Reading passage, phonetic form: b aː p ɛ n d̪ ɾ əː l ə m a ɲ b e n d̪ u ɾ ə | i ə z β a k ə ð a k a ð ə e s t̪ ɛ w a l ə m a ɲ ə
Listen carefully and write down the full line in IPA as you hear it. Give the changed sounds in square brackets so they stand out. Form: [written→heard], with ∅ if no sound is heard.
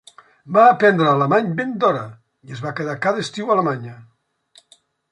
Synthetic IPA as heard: b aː p ɛ n d̪ ɾ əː l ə m a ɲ b e n d̪ [u→ɔ] ɾ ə | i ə z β a k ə ð a k a ð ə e s t̪ [ɛ→i] w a l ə m a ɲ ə